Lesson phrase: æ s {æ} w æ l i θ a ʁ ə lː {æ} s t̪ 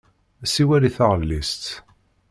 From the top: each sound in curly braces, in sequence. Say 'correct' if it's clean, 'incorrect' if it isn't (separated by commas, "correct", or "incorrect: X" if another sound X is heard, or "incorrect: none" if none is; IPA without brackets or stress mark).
incorrect: i, incorrect: i